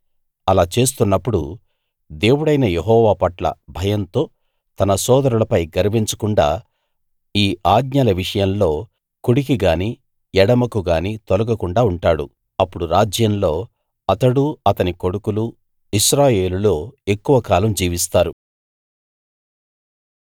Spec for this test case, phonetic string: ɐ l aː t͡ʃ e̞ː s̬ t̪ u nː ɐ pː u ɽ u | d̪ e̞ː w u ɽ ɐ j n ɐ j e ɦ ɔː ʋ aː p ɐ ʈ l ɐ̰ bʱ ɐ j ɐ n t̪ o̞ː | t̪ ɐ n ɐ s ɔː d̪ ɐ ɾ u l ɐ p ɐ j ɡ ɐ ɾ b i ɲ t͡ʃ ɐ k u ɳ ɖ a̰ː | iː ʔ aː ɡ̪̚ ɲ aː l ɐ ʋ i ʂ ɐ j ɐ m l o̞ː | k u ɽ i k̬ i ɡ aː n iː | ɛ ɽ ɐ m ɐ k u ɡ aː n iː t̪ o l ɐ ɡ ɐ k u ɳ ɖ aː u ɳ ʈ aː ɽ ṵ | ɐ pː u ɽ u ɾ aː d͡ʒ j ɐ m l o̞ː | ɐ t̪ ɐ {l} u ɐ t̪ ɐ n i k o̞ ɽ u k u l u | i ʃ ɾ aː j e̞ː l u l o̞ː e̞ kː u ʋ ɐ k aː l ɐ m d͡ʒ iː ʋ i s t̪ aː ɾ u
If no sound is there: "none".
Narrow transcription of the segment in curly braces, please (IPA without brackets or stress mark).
ɽ